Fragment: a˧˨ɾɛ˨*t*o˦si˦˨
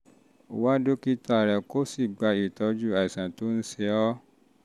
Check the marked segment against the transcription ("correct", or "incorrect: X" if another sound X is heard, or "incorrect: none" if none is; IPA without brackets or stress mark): incorrect: k